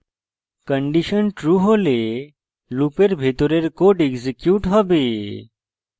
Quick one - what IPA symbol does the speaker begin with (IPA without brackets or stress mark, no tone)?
k